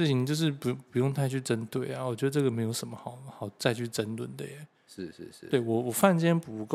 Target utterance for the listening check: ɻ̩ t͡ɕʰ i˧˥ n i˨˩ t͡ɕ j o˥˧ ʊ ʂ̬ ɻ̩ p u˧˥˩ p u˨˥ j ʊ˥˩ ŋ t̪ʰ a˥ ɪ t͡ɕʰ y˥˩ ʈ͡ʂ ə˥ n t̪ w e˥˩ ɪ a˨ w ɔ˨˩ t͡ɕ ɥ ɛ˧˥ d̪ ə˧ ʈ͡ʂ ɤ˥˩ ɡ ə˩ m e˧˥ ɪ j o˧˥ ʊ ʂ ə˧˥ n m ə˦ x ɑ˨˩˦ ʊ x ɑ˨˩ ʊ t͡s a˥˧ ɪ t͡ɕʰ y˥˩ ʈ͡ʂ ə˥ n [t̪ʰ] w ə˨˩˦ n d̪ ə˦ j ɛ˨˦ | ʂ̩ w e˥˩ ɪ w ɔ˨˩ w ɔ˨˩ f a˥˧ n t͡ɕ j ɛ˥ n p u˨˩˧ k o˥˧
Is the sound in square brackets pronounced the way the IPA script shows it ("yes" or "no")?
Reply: no